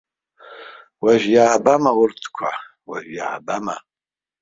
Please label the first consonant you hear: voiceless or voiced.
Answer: voiced